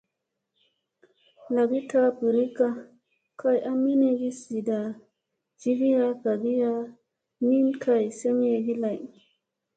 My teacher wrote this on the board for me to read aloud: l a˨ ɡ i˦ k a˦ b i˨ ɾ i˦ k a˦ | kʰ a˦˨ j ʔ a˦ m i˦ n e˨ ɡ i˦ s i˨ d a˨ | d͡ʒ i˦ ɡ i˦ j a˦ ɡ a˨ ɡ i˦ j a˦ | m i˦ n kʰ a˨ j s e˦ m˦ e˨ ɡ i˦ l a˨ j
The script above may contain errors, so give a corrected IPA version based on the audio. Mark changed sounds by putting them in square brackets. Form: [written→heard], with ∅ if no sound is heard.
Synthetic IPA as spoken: l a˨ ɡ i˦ [k→t] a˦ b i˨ ɾ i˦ k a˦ | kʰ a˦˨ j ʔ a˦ m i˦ n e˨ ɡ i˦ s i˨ d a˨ | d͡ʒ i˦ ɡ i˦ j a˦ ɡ a˨ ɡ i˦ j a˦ | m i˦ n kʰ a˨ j s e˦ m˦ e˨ ɡ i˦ l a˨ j